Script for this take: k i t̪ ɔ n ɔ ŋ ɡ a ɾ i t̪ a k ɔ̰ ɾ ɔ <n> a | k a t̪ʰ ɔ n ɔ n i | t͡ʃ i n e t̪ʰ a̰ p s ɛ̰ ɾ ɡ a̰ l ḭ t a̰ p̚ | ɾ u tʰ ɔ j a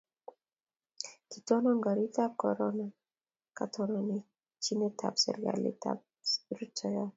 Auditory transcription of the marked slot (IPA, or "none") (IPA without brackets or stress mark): n